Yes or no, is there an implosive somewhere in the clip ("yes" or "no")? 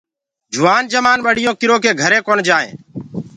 yes